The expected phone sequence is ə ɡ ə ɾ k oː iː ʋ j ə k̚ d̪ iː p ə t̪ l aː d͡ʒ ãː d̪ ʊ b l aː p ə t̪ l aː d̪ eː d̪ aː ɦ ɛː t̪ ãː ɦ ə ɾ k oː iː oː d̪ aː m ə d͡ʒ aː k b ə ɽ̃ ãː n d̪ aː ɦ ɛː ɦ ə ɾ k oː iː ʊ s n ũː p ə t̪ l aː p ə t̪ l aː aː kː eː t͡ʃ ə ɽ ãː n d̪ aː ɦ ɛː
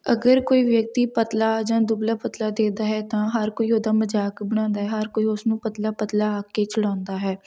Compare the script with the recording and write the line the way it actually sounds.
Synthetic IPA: ə ɡ ə ɾ k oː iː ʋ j ə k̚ t̪ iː p ə t̪ l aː d͡ʒ ãː d̪ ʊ b l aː p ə t̪ l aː d̪ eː d̪ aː ɦ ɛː t̪ ãː ɦ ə ɾ k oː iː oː d̪ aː m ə d͡ʒ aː k b ə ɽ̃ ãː n d̪ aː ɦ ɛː ɦ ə ɾ k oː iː ʊ s n ũː p ə t̪ l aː p ə t̪ l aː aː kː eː t͡ʃ ə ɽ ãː n d̪ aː ɦ ɛː